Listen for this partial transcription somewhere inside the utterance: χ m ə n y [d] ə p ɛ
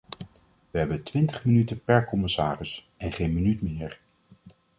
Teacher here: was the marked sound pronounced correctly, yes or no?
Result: no